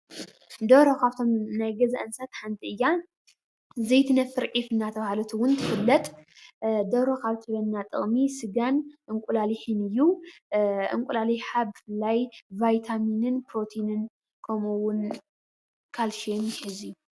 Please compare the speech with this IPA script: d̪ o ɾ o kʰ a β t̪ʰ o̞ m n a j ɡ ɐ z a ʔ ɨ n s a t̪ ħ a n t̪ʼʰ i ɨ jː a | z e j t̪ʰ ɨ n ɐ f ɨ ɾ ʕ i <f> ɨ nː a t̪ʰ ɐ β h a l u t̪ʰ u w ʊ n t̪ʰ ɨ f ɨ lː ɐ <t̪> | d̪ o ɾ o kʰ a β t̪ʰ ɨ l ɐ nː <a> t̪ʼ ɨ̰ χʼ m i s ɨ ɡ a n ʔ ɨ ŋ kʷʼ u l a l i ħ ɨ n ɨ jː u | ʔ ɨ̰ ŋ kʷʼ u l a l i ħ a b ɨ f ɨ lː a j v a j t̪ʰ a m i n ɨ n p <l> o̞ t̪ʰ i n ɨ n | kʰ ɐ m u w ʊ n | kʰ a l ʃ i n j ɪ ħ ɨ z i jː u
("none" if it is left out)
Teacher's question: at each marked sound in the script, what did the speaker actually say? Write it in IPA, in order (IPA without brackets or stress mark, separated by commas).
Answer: f, t̪ʼ, a, ɾ